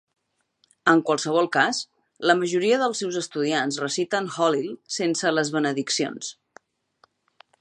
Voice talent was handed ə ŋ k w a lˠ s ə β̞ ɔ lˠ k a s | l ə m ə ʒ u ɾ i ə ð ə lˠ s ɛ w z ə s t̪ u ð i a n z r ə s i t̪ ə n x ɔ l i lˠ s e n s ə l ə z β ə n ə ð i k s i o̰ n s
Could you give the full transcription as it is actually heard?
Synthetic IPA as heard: ə ŋ k w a lˠ s ə β̞ ɔ lˠ k a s | l ə m ə ʒ u ɾ i ə ð ə lˠ s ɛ w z ə s t̪ u ð i a n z r ə s i t̪ ə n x ɔ l i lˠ s e n s ə l ə z β ə n ə ð i k s i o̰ n s